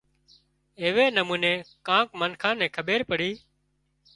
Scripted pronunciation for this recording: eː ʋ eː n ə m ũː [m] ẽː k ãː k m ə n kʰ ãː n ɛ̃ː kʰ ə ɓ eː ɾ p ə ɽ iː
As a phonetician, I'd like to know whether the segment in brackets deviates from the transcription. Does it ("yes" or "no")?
yes